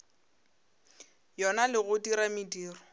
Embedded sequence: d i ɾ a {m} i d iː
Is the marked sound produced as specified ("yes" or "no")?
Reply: yes